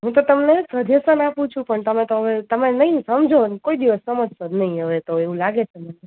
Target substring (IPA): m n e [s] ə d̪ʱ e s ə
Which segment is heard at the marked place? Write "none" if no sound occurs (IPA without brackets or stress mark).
s